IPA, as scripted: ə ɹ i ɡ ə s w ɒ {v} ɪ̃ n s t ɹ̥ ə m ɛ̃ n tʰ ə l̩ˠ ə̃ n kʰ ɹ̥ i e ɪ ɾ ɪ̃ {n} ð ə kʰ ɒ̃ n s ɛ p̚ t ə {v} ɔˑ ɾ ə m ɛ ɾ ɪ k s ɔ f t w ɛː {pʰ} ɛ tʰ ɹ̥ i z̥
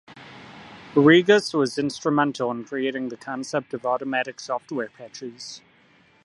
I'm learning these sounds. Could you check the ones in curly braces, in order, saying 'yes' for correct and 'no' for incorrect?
no, no, yes, yes

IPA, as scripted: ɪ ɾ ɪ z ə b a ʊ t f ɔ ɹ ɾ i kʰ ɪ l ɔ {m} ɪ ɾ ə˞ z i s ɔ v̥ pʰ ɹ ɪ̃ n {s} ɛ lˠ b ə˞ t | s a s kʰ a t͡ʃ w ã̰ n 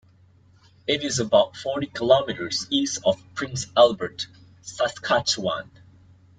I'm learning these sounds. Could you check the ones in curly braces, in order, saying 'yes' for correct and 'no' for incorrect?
yes, yes

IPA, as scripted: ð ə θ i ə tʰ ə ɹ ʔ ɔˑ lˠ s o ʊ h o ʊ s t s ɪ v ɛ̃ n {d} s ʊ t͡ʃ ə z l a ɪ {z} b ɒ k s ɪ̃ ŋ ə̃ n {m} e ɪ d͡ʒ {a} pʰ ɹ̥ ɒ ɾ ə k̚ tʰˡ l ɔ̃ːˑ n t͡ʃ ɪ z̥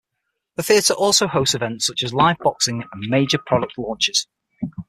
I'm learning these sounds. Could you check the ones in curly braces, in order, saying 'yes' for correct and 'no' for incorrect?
no, no, yes, no

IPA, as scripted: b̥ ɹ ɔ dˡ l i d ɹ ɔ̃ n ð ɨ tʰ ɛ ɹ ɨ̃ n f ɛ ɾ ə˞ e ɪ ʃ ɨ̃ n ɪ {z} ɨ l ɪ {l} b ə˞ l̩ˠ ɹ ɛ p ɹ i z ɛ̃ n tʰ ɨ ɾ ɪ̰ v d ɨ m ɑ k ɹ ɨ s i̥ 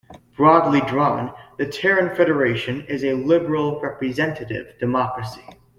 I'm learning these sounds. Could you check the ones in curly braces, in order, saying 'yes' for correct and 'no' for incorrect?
yes, no

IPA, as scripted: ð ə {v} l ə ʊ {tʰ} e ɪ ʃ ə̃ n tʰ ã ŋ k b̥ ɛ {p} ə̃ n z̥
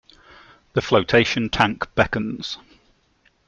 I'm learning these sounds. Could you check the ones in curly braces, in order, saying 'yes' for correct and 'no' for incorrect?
no, yes, no

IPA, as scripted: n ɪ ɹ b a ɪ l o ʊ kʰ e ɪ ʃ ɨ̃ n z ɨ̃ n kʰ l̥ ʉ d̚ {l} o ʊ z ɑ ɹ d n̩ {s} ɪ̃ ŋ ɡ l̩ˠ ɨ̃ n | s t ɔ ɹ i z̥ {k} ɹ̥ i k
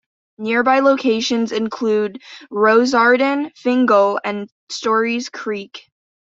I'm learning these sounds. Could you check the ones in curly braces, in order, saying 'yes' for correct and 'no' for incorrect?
no, no, no

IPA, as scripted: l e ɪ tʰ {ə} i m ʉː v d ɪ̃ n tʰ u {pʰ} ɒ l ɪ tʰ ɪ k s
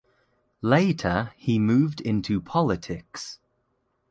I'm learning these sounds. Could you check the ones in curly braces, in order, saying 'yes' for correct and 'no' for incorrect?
yes, yes

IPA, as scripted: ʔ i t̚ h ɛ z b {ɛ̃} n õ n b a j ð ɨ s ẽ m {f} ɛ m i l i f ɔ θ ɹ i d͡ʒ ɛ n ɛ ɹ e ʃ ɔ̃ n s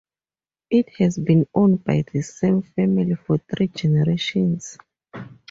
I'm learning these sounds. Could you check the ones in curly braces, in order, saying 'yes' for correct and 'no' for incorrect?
no, yes

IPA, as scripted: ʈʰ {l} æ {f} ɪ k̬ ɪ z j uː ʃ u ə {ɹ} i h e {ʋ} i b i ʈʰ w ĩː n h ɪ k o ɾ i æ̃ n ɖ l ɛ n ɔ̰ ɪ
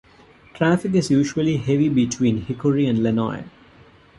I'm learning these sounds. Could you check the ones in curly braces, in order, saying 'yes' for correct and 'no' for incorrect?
no, yes, no, yes

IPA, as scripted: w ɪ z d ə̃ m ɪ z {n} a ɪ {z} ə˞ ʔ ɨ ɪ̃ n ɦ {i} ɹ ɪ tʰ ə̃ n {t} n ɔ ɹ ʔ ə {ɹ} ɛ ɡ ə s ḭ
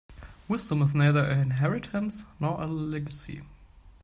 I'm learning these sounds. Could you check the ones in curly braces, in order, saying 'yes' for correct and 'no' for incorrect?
yes, no, no, no, no

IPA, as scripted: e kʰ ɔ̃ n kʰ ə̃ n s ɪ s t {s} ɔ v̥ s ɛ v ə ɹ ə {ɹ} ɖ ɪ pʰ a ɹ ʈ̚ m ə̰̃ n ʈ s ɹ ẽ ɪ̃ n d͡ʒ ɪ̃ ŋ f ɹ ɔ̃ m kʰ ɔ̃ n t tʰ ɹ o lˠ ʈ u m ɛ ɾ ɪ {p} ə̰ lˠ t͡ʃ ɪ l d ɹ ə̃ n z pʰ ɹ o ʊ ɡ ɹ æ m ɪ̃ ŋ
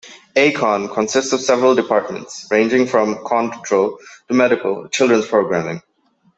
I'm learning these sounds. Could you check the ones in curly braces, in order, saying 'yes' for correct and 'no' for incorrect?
yes, no, no

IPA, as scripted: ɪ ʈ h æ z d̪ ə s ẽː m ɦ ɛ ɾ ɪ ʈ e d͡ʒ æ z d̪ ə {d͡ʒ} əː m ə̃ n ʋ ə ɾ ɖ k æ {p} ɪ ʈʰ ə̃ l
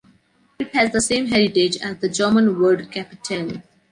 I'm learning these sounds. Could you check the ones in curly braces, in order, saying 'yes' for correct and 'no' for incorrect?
yes, yes

